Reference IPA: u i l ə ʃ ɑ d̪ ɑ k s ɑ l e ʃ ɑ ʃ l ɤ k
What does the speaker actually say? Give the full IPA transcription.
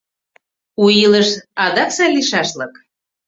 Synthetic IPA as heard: u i l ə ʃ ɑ d̪ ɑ k s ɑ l i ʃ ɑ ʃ l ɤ k